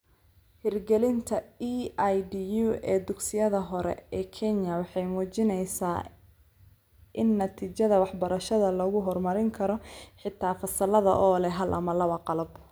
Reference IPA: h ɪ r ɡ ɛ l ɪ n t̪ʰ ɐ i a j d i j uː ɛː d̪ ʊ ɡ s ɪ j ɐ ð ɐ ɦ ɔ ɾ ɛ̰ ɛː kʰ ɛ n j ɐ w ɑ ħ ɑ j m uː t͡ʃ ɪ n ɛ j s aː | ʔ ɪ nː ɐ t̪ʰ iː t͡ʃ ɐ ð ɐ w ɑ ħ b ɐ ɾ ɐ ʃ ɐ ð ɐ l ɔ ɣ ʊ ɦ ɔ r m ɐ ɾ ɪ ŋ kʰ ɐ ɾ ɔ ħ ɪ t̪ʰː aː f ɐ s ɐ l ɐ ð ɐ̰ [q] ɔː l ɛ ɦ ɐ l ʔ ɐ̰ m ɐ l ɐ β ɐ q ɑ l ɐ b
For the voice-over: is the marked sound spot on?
no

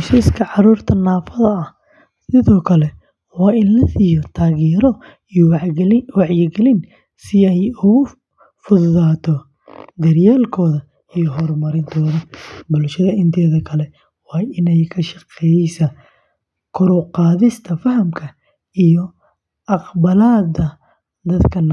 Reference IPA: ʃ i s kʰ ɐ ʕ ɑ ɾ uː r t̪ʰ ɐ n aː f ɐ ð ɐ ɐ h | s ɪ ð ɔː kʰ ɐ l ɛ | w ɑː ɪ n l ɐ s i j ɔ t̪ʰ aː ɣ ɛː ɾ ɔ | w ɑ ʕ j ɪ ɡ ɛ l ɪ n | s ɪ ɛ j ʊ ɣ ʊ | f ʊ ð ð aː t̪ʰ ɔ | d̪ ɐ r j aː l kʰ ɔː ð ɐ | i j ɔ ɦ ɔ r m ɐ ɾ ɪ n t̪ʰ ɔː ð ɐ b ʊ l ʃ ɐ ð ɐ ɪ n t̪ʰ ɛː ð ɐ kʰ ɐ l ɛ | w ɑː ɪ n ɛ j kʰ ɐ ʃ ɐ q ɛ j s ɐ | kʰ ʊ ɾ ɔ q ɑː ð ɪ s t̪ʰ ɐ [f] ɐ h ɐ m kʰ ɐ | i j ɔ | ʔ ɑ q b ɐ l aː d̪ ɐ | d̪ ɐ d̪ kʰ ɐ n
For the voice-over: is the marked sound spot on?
yes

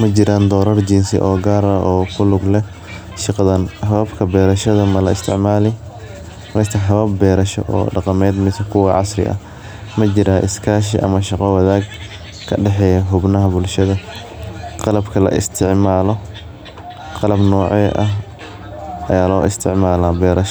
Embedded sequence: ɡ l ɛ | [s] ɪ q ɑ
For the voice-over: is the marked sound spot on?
no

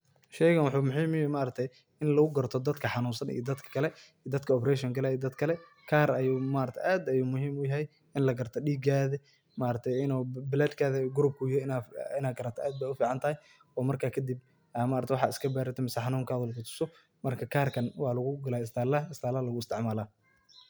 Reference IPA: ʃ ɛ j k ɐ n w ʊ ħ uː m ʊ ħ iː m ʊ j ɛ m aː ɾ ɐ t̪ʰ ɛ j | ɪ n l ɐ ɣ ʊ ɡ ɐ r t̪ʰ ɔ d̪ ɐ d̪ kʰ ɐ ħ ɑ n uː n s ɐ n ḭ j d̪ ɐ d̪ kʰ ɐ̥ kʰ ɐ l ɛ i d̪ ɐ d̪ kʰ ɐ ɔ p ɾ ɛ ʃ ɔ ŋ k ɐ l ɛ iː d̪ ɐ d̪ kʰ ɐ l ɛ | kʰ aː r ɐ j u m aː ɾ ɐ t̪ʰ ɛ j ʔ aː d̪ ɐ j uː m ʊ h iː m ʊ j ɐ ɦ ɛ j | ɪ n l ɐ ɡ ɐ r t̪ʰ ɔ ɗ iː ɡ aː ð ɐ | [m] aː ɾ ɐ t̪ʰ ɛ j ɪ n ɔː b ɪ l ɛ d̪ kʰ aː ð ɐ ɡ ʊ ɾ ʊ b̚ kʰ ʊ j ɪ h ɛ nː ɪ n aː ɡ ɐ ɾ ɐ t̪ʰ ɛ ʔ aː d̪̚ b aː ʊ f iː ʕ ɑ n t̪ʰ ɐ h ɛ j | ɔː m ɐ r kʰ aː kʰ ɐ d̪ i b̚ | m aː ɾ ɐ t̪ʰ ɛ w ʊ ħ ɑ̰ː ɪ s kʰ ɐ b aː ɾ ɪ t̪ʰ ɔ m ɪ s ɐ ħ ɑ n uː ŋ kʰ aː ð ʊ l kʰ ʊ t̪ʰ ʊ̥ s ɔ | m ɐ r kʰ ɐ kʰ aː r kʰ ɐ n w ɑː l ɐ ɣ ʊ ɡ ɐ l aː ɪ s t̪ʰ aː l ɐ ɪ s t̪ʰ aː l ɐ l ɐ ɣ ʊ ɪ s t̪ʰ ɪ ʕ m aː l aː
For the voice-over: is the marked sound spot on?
yes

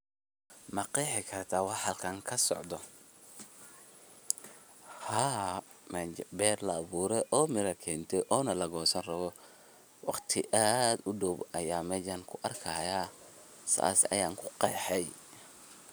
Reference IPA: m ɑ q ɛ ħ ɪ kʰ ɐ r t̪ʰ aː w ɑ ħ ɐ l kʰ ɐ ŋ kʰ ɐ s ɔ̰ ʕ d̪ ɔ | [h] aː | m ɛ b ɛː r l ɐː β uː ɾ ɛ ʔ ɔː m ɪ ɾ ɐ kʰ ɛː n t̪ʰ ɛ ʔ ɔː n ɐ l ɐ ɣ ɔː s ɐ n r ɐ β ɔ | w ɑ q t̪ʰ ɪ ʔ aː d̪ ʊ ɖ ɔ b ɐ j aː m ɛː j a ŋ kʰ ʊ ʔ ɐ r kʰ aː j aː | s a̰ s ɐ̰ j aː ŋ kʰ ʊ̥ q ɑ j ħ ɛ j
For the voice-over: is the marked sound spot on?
yes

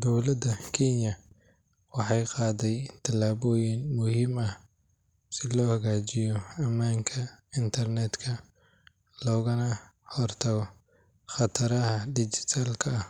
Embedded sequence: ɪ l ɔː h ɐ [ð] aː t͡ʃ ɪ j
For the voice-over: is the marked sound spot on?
no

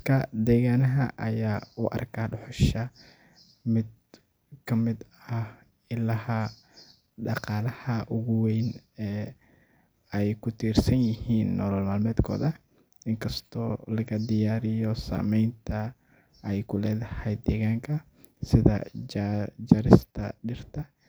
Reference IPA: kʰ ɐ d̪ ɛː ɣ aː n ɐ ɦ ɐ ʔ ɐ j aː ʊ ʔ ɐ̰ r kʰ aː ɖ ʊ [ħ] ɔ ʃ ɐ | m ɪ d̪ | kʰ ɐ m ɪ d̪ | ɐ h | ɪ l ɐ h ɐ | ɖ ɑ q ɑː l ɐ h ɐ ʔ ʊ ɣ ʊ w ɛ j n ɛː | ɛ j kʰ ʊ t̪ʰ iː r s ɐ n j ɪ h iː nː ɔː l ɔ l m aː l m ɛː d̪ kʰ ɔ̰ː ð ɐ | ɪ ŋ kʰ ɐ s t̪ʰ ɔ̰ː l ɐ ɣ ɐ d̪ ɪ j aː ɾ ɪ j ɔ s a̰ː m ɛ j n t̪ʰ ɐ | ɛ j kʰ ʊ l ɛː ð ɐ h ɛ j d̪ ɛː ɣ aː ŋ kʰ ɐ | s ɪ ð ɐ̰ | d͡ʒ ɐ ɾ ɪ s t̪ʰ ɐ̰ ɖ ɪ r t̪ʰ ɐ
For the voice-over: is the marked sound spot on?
yes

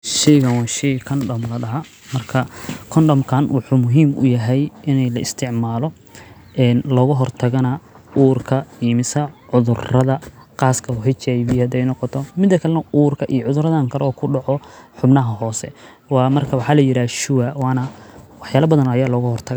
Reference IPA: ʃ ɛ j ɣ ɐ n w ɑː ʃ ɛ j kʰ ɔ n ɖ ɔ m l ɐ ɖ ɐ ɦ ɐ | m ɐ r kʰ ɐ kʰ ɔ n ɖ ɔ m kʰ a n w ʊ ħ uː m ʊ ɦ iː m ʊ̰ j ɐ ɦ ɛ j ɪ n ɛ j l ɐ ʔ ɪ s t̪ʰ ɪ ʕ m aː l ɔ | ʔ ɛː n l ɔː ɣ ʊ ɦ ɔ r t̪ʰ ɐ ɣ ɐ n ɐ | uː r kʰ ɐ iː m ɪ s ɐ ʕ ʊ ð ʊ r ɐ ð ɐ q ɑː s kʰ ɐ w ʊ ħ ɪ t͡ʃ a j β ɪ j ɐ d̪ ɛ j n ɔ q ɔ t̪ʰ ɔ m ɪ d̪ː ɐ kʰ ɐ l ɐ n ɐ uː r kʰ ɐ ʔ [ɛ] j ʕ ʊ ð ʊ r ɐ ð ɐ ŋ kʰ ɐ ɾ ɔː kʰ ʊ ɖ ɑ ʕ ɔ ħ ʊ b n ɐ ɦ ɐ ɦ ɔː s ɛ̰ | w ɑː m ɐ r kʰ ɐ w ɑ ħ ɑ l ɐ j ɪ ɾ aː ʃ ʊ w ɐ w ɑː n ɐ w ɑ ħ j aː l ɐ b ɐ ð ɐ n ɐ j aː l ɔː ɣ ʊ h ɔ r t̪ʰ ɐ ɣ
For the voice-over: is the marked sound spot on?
no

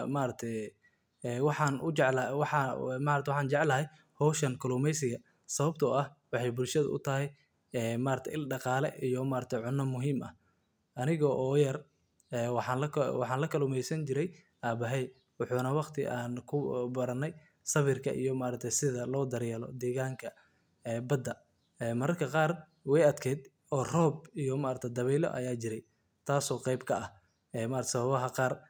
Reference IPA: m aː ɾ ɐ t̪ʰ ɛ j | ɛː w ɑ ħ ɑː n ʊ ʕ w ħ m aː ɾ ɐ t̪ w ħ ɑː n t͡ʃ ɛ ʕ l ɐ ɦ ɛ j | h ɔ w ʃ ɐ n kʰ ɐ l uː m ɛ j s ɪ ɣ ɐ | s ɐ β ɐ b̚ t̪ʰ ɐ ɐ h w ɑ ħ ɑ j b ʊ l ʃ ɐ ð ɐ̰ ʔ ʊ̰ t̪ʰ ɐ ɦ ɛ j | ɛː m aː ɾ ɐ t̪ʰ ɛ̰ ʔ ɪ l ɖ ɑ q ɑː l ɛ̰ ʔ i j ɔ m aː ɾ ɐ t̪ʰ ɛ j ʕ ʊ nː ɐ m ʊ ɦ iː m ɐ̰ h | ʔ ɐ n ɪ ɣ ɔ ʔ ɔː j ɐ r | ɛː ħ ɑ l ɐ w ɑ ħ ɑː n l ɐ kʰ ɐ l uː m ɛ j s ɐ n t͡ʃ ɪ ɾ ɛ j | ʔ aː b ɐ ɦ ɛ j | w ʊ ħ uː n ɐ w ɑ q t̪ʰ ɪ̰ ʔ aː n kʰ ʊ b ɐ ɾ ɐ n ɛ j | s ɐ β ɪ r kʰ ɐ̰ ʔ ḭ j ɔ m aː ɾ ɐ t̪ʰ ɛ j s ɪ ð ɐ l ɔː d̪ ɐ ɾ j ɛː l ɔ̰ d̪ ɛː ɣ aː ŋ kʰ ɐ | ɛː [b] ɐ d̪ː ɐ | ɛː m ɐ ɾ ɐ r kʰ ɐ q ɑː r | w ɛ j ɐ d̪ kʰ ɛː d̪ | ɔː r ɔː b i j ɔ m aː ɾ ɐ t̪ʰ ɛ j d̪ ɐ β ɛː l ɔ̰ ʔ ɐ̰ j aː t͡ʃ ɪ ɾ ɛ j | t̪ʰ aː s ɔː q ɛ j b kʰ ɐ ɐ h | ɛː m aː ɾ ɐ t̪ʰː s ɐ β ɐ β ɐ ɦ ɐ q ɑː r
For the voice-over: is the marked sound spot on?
yes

